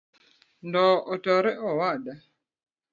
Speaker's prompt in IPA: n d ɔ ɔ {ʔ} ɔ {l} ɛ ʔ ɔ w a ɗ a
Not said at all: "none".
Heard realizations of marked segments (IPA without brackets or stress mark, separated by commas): t, ɾ